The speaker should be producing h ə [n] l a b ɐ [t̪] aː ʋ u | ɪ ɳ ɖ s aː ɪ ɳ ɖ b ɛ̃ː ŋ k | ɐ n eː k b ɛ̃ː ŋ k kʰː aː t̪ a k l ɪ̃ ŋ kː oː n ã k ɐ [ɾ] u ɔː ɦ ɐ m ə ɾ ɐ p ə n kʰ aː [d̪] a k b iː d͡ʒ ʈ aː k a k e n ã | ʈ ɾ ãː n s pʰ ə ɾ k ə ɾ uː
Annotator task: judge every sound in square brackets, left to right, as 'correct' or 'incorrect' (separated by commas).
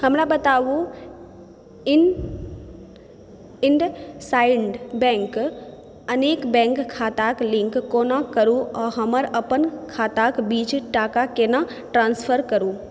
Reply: incorrect, correct, correct, incorrect